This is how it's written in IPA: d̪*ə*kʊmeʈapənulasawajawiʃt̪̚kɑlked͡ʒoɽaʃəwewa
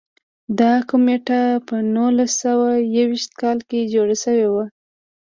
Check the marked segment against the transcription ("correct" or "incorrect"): incorrect